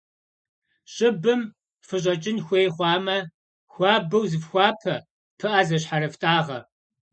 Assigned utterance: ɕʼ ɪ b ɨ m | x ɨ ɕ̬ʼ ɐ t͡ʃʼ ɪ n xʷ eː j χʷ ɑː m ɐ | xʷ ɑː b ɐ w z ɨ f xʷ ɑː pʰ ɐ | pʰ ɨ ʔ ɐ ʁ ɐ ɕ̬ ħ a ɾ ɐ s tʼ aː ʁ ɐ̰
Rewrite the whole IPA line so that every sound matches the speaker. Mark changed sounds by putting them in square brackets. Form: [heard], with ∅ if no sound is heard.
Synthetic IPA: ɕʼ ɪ b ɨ m | [f] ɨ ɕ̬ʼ ɐ t͡ʃʼ ɪ n xʷ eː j χʷ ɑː m ɐ | xʷ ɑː b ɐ w z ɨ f xʷ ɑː pʰ ɐ | pʰ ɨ ʔ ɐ [z] ɐ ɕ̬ ħ a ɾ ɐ [f] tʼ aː ʁ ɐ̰